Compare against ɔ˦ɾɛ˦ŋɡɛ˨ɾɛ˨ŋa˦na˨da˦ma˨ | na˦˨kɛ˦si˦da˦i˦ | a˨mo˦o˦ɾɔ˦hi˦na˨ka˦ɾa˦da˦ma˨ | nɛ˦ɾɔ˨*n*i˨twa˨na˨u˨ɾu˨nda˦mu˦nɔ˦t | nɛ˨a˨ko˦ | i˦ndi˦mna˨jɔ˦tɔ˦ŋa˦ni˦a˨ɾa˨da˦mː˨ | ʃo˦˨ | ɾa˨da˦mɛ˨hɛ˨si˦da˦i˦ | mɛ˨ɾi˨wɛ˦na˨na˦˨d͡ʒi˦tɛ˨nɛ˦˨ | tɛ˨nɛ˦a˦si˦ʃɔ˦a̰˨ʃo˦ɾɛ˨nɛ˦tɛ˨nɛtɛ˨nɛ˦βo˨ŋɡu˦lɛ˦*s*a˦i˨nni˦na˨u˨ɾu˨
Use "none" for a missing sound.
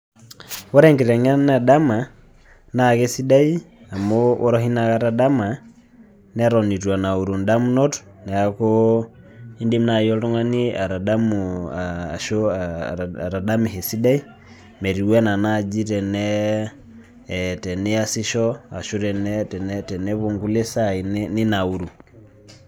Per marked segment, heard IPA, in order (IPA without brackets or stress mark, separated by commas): n, s